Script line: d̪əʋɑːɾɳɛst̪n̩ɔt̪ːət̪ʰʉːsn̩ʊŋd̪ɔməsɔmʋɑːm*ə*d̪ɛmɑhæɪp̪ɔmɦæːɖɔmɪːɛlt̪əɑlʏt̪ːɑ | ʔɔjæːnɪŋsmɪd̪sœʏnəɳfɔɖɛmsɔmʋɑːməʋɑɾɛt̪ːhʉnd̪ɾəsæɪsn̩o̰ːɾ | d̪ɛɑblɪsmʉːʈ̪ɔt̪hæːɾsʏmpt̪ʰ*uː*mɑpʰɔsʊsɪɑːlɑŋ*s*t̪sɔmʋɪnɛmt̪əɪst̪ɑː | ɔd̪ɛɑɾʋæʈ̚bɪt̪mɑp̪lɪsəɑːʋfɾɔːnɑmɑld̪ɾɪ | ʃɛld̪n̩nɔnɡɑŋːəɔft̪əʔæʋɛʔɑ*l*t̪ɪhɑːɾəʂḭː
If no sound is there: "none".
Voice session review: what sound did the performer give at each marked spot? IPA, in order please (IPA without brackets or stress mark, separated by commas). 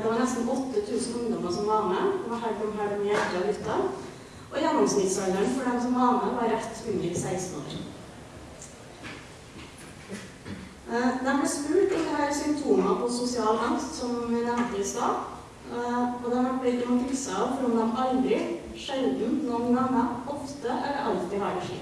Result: ə, uː, s, l